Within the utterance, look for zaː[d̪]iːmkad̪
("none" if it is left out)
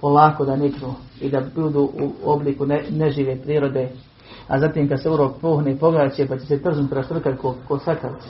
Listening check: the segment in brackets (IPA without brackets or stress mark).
t̪